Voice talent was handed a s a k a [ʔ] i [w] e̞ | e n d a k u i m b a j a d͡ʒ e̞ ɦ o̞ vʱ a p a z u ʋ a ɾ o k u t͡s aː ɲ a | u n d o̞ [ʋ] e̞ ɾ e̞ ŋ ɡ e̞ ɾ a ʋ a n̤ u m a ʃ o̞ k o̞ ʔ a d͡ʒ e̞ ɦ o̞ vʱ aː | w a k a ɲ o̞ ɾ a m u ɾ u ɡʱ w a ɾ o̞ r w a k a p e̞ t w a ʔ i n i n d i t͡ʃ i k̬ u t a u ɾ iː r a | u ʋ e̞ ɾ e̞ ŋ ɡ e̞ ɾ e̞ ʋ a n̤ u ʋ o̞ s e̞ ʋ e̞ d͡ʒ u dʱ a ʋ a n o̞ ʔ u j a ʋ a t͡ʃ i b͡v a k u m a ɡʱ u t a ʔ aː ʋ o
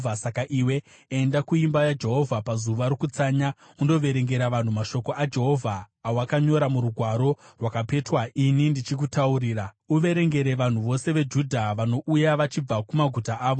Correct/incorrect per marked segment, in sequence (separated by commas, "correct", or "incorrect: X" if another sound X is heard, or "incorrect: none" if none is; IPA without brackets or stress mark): correct, correct, correct